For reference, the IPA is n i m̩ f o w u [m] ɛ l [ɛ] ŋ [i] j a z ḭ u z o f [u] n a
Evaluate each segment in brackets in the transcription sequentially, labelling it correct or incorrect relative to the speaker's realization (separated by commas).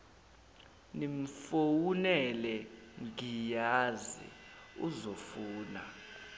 incorrect, correct, correct, incorrect